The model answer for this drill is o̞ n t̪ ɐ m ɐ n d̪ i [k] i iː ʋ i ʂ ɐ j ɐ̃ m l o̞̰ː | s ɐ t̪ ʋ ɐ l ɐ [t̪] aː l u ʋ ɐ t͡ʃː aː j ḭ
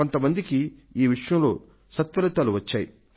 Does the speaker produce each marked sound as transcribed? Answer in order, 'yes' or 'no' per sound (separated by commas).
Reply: yes, yes